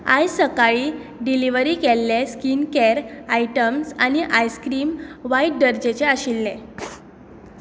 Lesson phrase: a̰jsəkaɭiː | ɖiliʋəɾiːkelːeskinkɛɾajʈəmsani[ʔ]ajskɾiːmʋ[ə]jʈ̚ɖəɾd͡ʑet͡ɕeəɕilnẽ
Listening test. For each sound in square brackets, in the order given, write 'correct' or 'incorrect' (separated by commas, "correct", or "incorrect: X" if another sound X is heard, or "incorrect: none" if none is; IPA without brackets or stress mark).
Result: correct, incorrect: a